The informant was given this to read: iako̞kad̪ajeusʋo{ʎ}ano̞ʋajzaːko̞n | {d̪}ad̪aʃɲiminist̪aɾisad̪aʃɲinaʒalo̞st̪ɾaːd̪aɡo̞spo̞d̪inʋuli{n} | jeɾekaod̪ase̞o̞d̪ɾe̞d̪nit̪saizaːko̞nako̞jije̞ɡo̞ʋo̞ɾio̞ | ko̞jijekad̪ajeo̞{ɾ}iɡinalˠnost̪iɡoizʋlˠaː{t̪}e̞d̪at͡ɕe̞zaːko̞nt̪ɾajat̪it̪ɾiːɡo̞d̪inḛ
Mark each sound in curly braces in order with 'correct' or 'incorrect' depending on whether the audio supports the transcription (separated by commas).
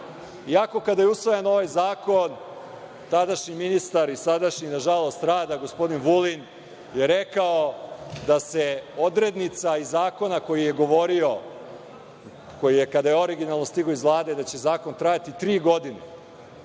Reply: incorrect, incorrect, correct, correct, incorrect